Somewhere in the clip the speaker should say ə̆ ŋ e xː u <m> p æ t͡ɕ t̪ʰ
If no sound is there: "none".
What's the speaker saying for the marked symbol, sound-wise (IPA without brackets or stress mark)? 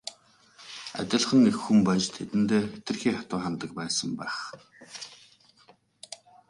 m